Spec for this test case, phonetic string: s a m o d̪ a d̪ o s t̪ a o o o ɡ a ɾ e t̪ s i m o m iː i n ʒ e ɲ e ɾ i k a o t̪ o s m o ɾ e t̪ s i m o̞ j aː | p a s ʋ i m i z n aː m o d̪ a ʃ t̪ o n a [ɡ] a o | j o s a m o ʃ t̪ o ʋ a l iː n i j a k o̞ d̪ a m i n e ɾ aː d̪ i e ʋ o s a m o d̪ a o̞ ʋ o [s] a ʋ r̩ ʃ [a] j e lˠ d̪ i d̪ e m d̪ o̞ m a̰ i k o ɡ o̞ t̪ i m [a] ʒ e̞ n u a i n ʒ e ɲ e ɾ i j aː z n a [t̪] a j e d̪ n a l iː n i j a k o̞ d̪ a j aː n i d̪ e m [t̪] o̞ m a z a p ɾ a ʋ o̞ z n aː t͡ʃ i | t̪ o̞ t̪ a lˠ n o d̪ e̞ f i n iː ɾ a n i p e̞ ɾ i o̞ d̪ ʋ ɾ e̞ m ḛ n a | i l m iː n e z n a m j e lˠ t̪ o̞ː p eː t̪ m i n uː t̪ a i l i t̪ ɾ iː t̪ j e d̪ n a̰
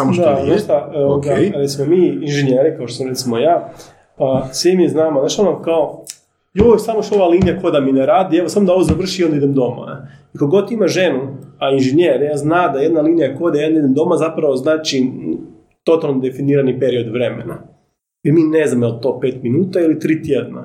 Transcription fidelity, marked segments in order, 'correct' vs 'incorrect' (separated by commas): incorrect, incorrect, incorrect, correct, incorrect, incorrect